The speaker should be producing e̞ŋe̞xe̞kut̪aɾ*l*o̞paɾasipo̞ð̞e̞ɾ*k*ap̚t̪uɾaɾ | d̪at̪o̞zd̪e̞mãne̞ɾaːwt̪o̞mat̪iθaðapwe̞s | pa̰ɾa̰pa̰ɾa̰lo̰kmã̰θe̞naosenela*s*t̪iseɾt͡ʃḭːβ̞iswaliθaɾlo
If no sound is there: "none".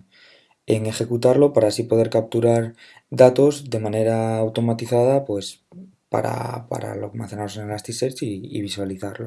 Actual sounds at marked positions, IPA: l, k, s

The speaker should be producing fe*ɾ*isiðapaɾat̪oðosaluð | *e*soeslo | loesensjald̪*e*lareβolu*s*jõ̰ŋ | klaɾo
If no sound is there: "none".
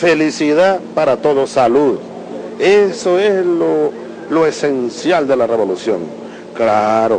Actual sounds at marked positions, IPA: l, e, e, s

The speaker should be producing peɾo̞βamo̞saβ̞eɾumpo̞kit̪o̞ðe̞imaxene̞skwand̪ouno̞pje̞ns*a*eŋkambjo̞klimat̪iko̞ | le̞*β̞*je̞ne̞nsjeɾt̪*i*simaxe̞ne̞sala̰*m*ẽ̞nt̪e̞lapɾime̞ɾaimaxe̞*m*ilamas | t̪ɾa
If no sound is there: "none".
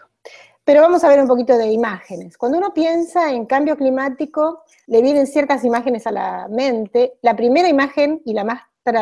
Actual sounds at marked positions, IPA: a, β̞, a, m, n

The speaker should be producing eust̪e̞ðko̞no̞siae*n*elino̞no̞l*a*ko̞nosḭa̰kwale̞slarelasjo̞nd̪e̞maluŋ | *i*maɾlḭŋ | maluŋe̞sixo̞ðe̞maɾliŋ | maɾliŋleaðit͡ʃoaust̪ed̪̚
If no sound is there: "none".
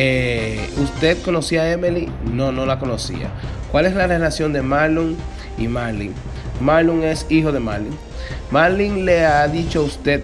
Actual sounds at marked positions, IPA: m, a, i

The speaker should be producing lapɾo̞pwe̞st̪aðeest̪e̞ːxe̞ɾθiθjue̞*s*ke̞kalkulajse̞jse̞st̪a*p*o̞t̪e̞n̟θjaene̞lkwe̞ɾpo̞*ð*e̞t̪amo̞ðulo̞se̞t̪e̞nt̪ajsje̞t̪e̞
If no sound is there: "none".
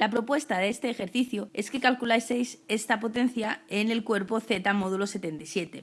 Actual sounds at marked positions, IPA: s, p, θ

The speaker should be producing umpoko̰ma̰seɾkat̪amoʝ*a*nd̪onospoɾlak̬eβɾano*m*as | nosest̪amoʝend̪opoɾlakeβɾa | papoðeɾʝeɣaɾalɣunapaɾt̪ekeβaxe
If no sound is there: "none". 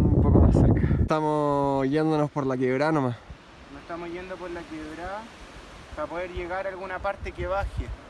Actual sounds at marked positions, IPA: e, m

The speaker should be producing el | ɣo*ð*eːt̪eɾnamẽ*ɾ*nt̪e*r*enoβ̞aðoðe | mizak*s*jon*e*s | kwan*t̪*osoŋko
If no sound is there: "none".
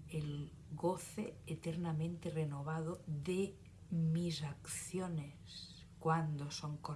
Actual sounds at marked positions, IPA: θ, none, r, θ, e, d̪

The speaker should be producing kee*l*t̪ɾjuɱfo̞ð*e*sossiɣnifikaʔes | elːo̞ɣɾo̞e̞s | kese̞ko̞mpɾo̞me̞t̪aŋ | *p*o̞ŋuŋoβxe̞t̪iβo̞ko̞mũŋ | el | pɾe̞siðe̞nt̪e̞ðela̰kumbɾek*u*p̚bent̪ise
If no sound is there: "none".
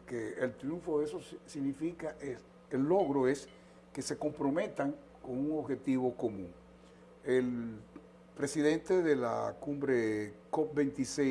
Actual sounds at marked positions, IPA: l, e, k, o

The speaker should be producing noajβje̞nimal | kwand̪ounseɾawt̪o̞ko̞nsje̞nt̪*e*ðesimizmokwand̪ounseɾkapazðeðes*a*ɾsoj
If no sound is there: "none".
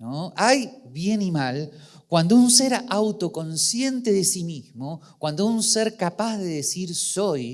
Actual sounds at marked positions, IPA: e, i

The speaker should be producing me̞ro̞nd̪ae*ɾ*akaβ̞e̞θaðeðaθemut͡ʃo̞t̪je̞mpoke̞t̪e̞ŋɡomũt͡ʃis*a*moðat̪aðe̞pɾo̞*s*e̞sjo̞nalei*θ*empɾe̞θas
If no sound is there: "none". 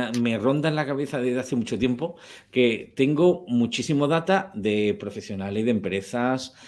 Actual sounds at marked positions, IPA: l, i, f, ð

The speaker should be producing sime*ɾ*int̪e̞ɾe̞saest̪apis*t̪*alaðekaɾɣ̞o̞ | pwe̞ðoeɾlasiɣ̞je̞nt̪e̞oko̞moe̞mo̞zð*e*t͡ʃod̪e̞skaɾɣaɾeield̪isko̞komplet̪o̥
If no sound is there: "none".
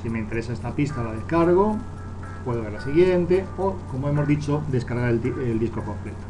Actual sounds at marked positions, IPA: none, t̪, i

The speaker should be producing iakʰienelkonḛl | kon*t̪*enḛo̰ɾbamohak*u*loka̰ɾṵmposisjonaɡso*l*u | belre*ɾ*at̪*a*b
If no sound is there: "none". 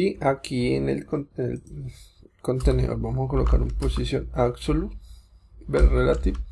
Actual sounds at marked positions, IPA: t̪, o, l, l, i

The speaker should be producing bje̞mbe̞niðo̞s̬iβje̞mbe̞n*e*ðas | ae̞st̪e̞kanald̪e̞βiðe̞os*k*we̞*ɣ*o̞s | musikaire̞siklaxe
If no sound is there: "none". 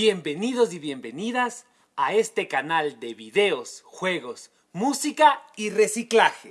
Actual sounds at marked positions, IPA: i, x, ɣ

